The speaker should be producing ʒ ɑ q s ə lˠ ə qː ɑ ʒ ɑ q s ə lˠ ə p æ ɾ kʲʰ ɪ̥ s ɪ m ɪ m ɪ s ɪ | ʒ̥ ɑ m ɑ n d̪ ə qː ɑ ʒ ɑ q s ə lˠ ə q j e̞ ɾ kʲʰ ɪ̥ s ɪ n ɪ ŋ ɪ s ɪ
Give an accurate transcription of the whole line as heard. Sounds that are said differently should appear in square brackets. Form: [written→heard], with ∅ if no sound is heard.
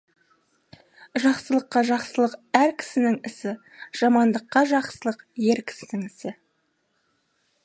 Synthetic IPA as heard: ʒ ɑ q s ə lˠ ə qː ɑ ʒ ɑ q s ə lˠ ə [p→q] æ ɾ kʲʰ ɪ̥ s ɪ [m→n] ɪ [m→ŋ] ɪ s ɪ | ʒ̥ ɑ m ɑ n d̪ ə qː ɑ ʒ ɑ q s ə lˠ ə q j e̞ ɾ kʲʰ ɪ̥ s ɪ n ɪ ŋ ɪ s ɪ